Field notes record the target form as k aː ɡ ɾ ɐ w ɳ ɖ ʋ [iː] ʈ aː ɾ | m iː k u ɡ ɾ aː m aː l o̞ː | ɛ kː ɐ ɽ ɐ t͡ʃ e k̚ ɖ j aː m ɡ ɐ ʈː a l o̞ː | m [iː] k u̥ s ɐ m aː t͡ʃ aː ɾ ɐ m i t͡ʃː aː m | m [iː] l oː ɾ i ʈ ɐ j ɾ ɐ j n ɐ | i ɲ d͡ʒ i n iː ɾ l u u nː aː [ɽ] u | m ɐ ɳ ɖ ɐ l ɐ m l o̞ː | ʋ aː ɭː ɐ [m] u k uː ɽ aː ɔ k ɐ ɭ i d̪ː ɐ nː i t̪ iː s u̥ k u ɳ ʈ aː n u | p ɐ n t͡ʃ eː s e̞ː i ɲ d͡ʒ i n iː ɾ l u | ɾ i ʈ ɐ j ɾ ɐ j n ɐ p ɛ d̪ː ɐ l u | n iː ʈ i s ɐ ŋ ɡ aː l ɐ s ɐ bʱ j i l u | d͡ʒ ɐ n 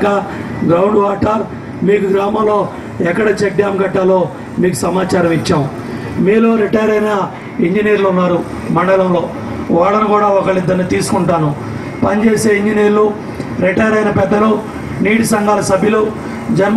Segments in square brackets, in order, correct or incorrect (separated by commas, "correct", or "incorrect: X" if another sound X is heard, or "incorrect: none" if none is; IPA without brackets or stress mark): incorrect: aː, correct, correct, incorrect: ɾ, incorrect: n